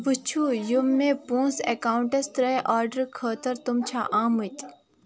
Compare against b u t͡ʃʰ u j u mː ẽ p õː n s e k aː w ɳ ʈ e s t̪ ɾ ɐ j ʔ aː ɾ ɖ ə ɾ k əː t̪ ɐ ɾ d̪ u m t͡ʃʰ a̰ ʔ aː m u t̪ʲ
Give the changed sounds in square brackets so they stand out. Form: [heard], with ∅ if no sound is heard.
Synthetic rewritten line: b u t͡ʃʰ u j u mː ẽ p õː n s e k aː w ɳ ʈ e s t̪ ɾ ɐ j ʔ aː ɾ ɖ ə ɾ [kʰ] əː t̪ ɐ ɾ [t̪] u m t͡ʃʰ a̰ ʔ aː m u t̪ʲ